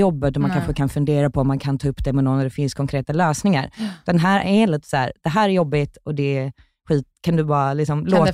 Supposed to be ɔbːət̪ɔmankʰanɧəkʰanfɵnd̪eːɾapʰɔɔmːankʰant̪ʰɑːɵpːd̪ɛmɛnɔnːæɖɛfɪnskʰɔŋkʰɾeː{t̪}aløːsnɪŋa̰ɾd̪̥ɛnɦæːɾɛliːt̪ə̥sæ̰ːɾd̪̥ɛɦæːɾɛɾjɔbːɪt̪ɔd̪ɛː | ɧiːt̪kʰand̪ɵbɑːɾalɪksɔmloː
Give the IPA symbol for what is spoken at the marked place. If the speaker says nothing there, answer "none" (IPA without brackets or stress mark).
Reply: t̪